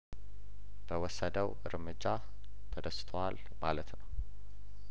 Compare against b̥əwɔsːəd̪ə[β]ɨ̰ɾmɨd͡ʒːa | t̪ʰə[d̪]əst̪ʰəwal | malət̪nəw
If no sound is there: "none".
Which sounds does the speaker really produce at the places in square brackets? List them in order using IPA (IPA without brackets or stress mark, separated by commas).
w, d̪